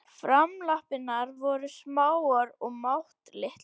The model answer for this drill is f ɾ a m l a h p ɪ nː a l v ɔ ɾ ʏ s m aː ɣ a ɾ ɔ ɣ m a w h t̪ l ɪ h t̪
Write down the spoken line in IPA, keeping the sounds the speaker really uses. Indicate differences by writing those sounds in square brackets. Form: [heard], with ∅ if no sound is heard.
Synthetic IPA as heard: f ɾ a m l a h p ɪ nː a [ɾ] v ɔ ɾ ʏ s m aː [w] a ɾ ɔ ɣ m a w h t̪ l ɪ h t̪